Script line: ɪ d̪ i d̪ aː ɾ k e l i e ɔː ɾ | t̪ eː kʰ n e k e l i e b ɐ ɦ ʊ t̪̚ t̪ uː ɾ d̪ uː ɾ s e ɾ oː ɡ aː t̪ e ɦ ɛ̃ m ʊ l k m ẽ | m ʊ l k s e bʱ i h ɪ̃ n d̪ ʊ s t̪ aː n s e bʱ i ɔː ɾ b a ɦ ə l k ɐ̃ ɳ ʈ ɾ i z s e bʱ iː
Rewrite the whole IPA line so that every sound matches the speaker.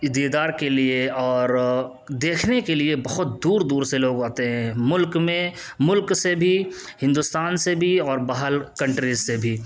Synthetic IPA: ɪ d̪ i d̪ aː ɾ k e l i e ɔː ɾ | d̪ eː kʰ n e k e l i e b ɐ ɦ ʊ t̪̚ d̪ uː ɾ d̪ uː ɾ s e l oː ɡ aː t̪ e ɦ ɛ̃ m ʊ l k m ẽ | m ʊ l k s e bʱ i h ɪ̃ n d̪ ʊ s t̪ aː n s e bʱ i ɔː ɾ b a ɦ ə l k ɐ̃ ɳ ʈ ɾ i z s e bʱ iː